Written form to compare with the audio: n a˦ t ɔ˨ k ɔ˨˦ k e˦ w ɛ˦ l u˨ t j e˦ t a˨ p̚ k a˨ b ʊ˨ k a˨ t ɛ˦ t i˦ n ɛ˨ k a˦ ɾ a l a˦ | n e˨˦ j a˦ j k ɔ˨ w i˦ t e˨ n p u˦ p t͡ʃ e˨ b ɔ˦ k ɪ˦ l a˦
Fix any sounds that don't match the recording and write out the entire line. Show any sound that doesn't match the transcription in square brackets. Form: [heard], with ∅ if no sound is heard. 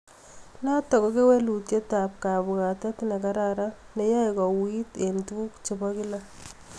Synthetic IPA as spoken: n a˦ t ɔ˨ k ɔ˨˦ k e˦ w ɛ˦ l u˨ t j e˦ t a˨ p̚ k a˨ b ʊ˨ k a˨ t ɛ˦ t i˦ n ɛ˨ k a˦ ɾ a [ɾ] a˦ | n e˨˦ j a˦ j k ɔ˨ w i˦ t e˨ n [t] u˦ [k] t͡ʃ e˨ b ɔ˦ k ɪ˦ l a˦